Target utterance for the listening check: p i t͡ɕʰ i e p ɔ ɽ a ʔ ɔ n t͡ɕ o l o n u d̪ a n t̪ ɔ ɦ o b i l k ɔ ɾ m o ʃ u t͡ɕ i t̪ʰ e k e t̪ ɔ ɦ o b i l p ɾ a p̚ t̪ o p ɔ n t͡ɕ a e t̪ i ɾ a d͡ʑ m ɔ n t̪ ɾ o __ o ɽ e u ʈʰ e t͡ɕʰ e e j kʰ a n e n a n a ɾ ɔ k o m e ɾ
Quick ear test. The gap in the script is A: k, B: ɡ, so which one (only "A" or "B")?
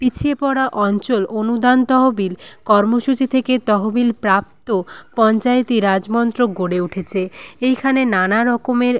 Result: B